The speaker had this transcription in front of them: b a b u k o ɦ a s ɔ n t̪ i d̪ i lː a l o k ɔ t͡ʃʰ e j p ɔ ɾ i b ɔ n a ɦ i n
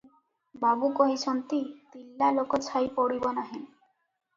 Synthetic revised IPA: b a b u k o ɦ i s ɔ n t̪ i t̪ i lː a l o k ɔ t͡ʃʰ a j p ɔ ɽ i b ɔ n a ɦ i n